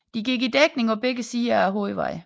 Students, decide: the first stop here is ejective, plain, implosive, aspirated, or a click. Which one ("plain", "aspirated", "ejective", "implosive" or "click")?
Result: plain